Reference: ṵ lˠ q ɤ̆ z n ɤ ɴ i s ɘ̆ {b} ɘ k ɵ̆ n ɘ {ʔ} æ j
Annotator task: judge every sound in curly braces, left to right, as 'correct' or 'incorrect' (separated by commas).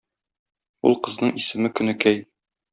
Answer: incorrect, incorrect